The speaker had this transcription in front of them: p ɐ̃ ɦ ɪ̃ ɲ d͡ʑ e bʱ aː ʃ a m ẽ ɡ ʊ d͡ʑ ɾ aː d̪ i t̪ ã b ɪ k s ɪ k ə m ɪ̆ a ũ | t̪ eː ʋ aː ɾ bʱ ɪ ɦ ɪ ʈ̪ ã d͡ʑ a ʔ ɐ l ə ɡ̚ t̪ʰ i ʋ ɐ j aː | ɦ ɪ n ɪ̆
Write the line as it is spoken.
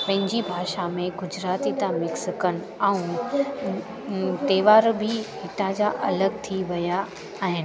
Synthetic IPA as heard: p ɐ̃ ɦ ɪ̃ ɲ d͡ʑ i bʱ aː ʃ a m ẽ ɡ ʊ d͡ʑ ɾ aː t̪ i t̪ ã m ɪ k s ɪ k ə n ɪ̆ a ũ | t̪ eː ʋ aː ɾ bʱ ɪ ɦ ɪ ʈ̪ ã d͡ʑ a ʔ ɐ l ə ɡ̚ t̪ʰ i ʋ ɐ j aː | ɦ ɪ n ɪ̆